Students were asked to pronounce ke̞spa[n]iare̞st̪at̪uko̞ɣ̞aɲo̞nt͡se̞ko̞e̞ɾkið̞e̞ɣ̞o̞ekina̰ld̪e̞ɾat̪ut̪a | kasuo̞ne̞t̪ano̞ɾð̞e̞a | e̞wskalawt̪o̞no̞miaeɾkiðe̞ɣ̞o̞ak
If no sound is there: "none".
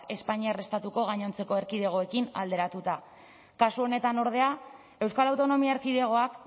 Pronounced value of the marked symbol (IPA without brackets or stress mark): ɲ